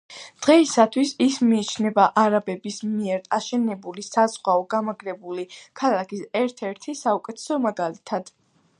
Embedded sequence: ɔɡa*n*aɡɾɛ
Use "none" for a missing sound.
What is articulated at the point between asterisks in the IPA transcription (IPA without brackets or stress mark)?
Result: m